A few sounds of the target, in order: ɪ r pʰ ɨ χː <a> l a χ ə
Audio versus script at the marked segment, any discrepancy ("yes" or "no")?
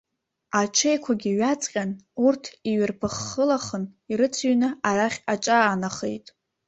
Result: yes